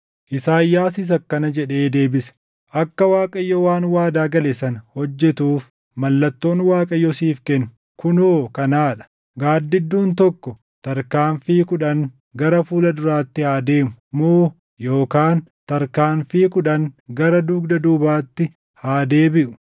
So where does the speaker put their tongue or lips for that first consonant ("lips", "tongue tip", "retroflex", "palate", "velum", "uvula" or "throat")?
throat